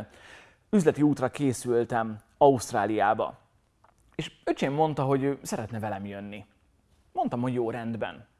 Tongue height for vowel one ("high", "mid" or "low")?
high